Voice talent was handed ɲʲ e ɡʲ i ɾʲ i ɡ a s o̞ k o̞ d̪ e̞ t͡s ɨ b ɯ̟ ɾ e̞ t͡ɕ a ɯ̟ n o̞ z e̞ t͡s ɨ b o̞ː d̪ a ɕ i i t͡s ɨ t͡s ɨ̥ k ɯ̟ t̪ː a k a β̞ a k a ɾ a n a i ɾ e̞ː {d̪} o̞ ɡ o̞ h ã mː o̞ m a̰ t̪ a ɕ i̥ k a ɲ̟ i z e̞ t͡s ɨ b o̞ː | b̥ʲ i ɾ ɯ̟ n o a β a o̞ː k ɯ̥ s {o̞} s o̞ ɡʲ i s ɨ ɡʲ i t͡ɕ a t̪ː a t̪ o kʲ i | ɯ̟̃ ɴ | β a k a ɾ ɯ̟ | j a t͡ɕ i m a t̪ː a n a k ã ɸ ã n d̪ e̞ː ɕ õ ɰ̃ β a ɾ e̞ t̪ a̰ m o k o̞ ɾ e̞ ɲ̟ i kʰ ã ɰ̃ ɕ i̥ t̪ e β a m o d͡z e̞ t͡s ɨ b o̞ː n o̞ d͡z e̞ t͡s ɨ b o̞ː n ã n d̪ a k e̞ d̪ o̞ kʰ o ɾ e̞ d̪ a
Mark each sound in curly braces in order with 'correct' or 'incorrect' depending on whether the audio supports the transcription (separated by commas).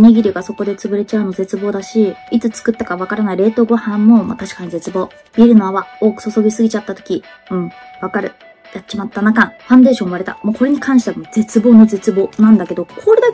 incorrect, correct